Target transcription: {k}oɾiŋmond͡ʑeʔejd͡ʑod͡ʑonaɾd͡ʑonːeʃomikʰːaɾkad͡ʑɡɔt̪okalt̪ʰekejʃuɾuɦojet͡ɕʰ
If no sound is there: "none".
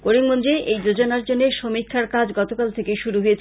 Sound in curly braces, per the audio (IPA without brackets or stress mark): k